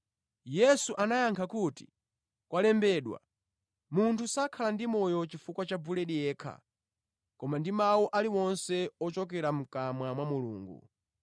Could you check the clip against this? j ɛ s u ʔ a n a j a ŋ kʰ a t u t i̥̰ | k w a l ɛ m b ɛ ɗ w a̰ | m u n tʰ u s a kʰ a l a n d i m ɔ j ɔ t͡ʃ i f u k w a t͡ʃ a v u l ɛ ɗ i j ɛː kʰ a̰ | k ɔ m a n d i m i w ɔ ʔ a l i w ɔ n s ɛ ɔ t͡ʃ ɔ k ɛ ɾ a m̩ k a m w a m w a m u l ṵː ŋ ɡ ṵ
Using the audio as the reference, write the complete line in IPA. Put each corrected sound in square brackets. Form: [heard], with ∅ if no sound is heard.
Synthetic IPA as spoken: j ɛ s u ʔ a n a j a ŋ kʰ a [k] u t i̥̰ | k w a l ɛ m b ɛ ɗ w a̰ | m u n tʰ u s a kʰ a l a n d i m ɔ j ɔ t͡ʃ i f u k w a t͡ʃ a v u l ɛ ɗ i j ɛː kʰ a̰ | k ɔ m a n d i m [a] w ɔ ʔ a l i w ɔ n s ɛ ɔ t͡ʃ ɔ k ɛ ɾ a m̩ k a m w a m w a m u l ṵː ŋ ɡ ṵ